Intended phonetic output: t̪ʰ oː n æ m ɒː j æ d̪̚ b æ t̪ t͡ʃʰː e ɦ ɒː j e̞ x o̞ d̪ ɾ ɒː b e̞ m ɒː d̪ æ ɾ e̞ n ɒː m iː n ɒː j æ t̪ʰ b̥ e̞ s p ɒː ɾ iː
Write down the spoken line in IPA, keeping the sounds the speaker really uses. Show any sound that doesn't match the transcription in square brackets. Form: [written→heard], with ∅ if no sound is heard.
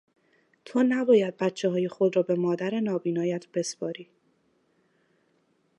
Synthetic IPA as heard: t̪ʰ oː n æ [m→b] ɒː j æ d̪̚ b æ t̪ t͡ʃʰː e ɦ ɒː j e̞ x o̞ d̪ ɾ ɒː b e̞ m ɒː d̪ æ ɾ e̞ n ɒː [m→b] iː n ɒː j æ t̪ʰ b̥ e̞ s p ɒː ɾ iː